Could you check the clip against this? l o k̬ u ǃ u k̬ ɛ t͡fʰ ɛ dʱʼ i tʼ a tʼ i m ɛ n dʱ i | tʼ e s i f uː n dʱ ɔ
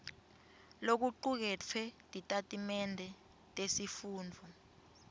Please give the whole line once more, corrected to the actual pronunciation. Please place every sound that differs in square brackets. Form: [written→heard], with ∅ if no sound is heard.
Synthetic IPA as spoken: l o k̬ u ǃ u k̬ ɛ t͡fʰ ɛ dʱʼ i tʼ a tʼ i m ɛ n dʱ [i→ɛ] | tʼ e s i f uː n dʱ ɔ